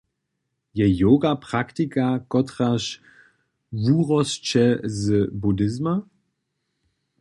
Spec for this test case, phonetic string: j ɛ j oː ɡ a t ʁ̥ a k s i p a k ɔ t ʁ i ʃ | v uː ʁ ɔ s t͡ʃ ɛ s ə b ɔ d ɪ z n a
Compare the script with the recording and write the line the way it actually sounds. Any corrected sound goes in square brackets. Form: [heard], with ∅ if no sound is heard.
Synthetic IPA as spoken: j ɛ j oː ɡ a [p] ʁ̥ a k [t] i [k] a k ɔ t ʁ [a] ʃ | v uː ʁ ɔ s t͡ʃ ɛ [z] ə b [u] d ɪ z [m] a